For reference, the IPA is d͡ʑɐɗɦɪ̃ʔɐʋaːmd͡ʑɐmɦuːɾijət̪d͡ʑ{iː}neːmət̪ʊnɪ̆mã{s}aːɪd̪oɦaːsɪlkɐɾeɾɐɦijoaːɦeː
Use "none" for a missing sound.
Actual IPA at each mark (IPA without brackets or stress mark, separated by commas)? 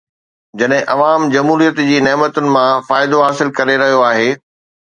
iː, f